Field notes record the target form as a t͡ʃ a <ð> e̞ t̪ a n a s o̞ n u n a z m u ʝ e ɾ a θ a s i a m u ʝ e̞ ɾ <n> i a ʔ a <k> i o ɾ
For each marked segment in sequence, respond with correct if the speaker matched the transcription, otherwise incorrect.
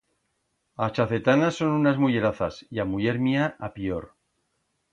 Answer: incorrect: θ, incorrect: m, incorrect: p

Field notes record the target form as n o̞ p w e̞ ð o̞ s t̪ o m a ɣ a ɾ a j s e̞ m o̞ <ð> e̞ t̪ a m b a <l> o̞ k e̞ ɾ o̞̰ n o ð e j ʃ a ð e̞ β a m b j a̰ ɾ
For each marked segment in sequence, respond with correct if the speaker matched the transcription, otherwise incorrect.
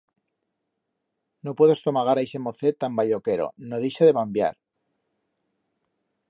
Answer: incorrect: θ, incorrect: ʎ

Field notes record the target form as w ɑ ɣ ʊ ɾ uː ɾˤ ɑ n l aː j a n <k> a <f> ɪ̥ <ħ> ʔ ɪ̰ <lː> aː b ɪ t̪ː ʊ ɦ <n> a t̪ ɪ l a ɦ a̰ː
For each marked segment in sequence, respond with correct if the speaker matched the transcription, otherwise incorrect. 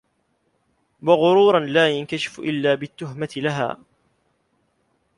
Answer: correct, incorrect: ʃ, incorrect: f, correct, incorrect: m

